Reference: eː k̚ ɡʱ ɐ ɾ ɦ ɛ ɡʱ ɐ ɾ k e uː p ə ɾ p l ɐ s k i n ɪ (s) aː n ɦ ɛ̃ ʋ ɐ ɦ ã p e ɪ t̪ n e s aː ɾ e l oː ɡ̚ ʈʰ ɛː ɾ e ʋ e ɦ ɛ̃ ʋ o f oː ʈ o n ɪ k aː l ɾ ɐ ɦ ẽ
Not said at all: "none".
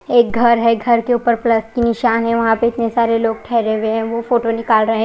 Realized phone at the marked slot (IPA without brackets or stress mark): ʃ